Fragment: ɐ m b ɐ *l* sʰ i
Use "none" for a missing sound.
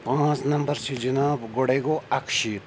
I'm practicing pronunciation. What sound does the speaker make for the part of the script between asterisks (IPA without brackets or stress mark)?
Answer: ɾ